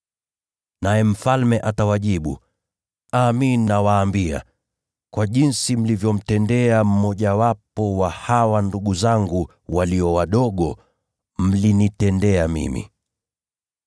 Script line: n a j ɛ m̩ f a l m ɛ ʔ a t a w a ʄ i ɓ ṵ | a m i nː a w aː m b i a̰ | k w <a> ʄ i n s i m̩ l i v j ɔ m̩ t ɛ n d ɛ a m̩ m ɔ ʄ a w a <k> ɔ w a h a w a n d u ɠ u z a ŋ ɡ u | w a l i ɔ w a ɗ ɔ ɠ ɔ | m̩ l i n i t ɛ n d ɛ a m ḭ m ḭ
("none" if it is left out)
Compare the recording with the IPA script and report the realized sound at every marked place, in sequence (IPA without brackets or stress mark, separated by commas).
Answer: a, p